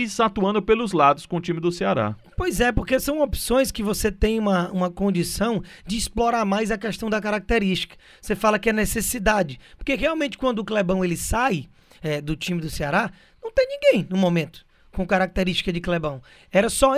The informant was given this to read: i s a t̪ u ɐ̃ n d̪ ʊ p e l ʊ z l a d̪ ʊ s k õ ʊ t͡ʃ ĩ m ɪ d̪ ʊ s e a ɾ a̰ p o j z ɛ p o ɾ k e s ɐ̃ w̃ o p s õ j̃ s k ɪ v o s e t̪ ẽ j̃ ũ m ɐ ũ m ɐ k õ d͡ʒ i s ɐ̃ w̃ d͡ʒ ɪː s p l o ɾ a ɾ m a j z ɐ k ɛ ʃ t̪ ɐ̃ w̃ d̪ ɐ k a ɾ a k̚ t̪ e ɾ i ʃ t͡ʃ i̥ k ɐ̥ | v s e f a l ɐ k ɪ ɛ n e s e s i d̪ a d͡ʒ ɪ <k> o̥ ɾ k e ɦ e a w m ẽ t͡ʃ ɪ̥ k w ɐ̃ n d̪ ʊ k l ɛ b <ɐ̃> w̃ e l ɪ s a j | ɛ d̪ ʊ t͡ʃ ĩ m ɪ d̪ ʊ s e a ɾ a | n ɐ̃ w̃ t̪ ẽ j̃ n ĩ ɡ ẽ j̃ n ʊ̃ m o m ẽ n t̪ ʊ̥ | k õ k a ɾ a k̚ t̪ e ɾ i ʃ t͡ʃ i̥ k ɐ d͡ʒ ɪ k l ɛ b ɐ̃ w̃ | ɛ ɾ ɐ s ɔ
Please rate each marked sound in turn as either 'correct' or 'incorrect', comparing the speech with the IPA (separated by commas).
incorrect, correct